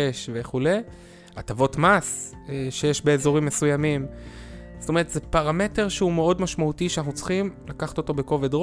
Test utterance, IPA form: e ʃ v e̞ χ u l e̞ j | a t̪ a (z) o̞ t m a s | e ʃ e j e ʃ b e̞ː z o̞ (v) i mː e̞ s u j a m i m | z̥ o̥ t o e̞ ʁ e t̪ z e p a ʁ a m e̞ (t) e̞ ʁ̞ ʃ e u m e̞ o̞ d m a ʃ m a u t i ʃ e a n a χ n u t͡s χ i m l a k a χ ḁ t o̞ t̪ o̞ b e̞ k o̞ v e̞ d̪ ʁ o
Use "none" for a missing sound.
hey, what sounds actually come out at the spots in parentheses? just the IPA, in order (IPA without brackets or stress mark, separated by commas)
v, ʁ, t